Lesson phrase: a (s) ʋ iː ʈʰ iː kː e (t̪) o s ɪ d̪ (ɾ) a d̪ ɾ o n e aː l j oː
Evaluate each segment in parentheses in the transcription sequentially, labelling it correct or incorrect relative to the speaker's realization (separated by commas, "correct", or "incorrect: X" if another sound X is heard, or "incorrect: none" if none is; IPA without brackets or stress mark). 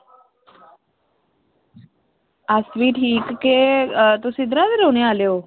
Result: correct, correct, correct